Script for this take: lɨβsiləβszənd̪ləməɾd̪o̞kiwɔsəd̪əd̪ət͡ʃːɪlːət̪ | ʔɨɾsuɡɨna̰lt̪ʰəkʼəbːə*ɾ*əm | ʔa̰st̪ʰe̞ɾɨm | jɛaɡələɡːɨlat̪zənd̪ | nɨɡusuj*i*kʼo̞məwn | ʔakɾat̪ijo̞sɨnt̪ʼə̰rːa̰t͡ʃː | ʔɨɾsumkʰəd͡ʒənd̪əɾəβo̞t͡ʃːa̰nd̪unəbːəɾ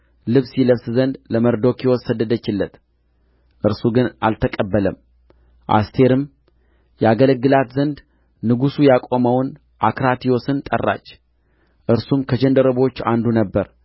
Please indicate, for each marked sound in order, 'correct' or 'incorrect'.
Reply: incorrect, incorrect

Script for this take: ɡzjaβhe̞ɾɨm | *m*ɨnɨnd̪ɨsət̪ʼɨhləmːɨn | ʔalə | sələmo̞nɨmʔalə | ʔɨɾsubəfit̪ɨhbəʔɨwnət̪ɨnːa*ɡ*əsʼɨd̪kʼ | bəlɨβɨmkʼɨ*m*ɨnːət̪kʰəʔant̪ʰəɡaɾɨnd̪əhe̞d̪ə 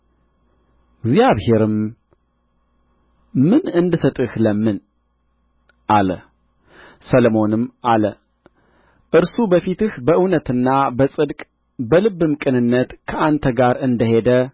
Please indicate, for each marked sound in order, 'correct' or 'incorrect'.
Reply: correct, incorrect, incorrect

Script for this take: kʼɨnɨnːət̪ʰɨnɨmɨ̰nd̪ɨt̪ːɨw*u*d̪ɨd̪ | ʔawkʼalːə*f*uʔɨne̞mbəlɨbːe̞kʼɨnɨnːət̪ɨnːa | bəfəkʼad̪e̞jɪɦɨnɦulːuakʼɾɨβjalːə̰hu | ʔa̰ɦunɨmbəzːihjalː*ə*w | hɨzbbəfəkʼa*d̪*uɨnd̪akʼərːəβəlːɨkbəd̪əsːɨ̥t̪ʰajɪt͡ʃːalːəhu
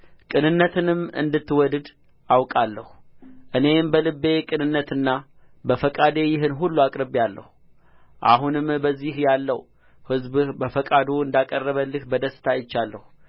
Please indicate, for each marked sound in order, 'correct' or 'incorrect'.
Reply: incorrect, incorrect, correct, correct

